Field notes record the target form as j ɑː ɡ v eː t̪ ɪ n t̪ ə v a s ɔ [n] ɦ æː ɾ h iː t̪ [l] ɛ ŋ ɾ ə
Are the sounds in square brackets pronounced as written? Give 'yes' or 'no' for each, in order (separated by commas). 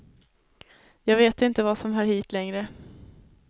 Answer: no, yes